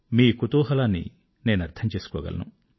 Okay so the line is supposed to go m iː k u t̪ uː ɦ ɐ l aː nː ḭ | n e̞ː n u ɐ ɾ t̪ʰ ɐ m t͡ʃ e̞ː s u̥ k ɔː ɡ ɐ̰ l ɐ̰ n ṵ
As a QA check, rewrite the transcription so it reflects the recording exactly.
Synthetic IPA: m iː k u t̪ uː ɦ ɐ l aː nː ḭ | n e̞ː n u ɐ ɾ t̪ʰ ɐ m t͡ʃ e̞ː s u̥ k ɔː ɡ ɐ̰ l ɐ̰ n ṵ